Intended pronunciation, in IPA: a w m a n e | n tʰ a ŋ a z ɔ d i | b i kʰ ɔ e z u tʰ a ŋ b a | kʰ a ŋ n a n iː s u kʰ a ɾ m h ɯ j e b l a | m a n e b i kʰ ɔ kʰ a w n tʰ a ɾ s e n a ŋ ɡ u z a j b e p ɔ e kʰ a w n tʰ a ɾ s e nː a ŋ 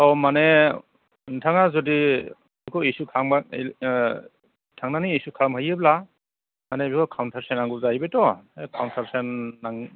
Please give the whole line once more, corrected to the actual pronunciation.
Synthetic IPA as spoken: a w m a n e | n tʰ a ŋ a z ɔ d i | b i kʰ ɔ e s u kʰ a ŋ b a | tʰ a ŋ n a n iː s u kʰ a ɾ m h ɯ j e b l a | m a n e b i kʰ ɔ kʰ a w n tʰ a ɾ s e n a ŋ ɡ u z a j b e t ɔ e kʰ a w n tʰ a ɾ s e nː a ŋ